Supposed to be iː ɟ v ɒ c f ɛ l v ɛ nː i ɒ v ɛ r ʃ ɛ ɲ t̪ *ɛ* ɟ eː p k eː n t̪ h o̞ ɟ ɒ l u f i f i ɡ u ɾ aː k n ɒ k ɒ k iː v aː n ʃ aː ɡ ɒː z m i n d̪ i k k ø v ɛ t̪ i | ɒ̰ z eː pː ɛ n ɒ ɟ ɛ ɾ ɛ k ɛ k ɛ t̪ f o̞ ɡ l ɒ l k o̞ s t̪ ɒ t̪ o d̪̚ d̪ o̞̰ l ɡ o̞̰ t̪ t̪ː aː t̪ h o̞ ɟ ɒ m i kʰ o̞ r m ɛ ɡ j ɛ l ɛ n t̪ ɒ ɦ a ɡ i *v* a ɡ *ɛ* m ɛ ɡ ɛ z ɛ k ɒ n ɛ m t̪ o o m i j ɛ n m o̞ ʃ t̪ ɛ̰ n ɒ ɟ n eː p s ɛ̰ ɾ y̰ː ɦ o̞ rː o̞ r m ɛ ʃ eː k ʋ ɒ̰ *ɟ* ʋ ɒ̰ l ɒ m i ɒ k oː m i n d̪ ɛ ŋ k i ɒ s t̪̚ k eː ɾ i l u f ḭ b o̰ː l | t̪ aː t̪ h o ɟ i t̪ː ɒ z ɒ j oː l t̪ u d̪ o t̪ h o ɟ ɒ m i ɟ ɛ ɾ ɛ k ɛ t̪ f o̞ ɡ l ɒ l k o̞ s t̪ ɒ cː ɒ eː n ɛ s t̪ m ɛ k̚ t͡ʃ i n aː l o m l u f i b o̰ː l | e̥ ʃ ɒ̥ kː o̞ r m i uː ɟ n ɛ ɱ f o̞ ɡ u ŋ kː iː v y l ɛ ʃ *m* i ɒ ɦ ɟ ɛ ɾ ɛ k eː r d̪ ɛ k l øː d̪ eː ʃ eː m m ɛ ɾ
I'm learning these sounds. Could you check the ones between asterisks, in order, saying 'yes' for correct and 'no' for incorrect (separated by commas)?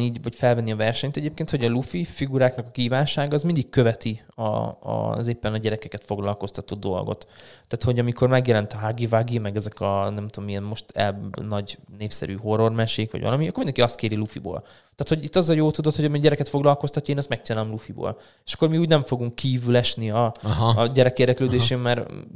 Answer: yes, yes, no, yes, no